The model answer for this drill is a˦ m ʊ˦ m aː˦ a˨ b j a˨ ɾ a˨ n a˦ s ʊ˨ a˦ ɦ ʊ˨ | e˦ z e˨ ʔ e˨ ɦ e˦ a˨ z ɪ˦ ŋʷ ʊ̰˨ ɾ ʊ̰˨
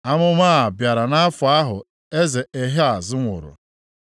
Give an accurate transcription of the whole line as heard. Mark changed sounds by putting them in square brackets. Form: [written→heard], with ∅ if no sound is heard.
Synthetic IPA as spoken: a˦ m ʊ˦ m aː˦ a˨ b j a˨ ɾ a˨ n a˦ [s→f] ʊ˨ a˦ ɦ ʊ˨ | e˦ z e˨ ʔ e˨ ɦ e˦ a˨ z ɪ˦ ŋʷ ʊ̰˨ ɾ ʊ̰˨